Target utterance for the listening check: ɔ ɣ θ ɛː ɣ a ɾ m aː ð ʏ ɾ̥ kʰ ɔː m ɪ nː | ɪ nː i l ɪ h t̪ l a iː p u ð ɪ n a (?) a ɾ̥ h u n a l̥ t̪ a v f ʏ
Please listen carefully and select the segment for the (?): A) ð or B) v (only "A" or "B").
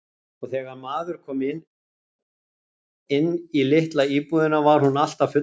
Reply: B